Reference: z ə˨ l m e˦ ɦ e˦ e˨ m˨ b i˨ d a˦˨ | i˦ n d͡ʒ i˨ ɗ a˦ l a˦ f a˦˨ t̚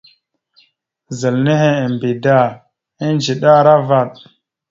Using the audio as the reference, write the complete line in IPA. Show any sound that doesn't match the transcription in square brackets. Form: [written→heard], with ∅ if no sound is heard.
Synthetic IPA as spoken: z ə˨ l [m→n] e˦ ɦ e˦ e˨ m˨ b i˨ d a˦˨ | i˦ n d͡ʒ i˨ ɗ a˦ [l→ɾ] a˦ [f→v] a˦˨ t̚